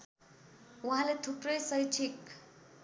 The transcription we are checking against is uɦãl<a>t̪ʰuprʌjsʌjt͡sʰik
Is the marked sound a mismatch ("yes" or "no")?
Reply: yes